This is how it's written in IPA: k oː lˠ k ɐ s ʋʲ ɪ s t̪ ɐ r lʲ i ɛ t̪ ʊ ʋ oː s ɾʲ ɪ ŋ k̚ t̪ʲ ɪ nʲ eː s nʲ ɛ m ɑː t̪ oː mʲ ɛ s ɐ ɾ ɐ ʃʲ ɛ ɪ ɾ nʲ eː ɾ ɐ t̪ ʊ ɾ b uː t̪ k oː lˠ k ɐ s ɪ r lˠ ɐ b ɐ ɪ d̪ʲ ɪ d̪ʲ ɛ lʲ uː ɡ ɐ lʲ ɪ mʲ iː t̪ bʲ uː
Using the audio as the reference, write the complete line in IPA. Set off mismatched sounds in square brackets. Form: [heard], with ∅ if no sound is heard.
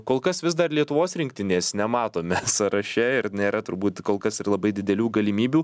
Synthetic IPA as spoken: k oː lˠ k ɐ s ʋʲ ɪ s [d̪] ɐ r lʲ i ɛ t̪ ʊ ʋ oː s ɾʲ ɪ ŋ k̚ t̪ʲ ɪ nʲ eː s nʲ ɛ m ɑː t̪ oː mʲ ɛ s ɐ ɾ ɐ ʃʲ ɛ ɪ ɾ nʲ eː ɾ ɐ t̪ ʊ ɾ b uː t̪ k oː lˠ k ɐ s ɪ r lˠ ɐ b ɐ ɪ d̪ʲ ɪ d̪ʲ ɛ lʲ uː ɡ ɐ lʲ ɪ mʲ iː [∅] bʲ uː